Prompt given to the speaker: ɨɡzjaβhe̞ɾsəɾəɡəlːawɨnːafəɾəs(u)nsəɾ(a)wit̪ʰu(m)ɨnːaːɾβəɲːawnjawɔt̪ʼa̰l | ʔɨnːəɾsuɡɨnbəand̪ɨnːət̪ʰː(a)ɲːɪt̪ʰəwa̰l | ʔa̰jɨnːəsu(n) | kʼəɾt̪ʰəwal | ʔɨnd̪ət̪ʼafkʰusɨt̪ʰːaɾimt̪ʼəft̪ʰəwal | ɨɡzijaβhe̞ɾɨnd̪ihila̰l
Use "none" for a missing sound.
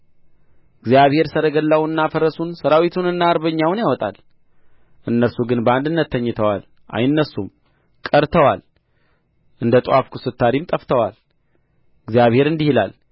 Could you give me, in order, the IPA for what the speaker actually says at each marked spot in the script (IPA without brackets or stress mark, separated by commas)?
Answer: u, a, n, ə, m